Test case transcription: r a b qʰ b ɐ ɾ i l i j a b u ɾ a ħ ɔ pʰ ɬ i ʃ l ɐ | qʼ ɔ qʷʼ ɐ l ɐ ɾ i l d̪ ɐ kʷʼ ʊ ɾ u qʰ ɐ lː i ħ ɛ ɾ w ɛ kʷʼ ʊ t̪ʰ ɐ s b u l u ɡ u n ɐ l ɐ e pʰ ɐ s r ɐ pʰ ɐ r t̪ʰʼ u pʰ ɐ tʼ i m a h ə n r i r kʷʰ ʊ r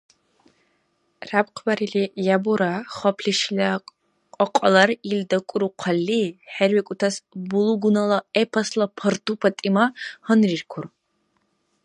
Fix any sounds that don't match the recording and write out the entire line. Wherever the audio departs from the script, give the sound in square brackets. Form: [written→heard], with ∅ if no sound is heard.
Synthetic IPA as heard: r a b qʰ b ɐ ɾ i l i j a b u ɾ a [ħ→χ] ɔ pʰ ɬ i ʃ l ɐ | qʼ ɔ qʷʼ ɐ l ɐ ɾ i l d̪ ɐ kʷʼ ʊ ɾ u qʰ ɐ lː i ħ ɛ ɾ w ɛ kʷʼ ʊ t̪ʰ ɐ s b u l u ɡ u n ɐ l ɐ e pʰ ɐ s [r→l] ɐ pʰ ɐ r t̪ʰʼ u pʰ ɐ tʼ i m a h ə n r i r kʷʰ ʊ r